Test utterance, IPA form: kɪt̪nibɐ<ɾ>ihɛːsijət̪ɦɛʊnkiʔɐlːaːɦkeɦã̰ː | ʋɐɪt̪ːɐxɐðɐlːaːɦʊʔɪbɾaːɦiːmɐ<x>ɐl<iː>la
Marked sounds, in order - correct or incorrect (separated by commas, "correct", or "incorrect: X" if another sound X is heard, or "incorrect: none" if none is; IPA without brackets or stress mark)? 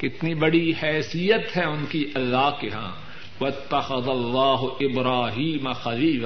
incorrect: ɽ, correct, correct